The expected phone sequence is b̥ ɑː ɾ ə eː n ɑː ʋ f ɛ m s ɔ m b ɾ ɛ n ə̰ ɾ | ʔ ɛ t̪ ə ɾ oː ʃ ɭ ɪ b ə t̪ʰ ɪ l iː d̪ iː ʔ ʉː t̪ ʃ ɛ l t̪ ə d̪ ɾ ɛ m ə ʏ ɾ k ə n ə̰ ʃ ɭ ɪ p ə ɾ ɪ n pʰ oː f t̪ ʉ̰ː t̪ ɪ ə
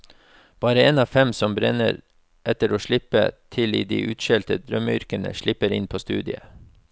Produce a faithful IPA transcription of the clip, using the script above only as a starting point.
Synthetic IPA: b̥ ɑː ɾ ə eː n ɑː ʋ f ɛ m s ɔ m b ɾ ɛ n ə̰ ɾ | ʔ ɛ t̪ ə ɾ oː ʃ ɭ ɪ p ə t̪ʰ ɪ l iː d̪ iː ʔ ʉː t̪ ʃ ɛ l t̪ ə d̪ ɾ œ m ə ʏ ɾ k ə n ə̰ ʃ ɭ ɪ p ə ɾ ɪ n pʰ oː s t̪ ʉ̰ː d̪ ɪ ə